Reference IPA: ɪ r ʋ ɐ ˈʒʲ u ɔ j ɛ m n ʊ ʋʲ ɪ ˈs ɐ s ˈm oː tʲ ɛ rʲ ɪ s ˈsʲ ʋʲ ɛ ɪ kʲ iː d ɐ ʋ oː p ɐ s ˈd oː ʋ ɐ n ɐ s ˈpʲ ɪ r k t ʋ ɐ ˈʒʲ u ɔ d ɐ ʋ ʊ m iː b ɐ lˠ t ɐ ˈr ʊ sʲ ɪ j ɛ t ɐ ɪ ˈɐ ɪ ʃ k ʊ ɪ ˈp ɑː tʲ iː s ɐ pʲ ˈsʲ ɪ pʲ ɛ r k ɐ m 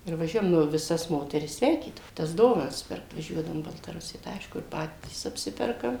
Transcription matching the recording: ɪ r ʋ ɐ ˈʒʲ u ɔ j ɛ m n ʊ ʋʲ ɪ ˈs ɐ s ˈm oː tʲ ɛ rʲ ɪ s ˈsʲ ʋʲ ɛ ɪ kʲ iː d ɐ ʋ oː t ɐ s ˈd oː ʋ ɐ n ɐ s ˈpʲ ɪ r k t ʋ ɐ ˈʒʲ u ɔ d ɐ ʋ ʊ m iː b ɐ lˠ t ɐ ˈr ʊ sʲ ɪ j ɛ t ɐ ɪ ˈɐ ɪ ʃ k ʊ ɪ ˈp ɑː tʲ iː s ɐ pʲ ˈsʲ ɪ pʲ ɛ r k ɐ m